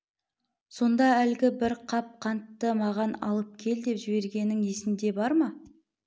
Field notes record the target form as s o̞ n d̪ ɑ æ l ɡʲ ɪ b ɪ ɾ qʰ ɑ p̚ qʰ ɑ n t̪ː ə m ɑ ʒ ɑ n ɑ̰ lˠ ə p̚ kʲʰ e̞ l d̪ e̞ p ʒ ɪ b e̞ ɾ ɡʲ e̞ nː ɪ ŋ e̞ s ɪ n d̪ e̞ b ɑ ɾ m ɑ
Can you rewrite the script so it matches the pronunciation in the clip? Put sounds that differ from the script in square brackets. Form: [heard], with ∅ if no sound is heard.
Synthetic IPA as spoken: s o̞ n d̪ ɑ æ l ɡʲ ɪ b ɪ ɾ qʰ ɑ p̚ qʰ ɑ n t̪ː ə m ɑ [ʁ] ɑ n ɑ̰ lˠ ə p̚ kʲʰ e̞ l d̪ e̞ p ʒ ɪ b e̞ ɾ ɡʲ e̞ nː ɪ ŋ e̞ s ɪ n d̪ e̞ b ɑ ɾ m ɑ